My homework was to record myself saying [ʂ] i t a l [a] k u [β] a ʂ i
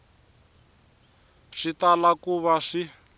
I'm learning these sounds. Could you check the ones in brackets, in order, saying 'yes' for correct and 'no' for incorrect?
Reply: yes, yes, yes

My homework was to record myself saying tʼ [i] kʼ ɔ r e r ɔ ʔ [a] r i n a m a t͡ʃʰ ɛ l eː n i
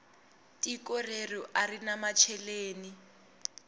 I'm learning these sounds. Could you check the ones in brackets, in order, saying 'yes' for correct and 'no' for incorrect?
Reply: yes, yes

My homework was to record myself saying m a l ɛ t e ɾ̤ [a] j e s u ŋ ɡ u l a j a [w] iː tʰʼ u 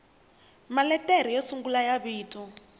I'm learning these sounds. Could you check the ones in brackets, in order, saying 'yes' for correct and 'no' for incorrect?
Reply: no, no

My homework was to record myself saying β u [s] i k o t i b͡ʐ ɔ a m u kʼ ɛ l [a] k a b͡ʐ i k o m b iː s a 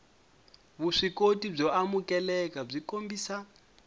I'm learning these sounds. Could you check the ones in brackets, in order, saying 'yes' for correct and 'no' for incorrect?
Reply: no, no

